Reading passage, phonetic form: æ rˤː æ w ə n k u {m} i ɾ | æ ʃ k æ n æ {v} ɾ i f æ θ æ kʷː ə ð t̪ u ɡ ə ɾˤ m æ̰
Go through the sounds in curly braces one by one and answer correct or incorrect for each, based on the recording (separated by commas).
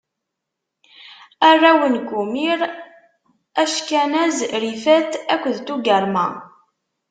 correct, incorrect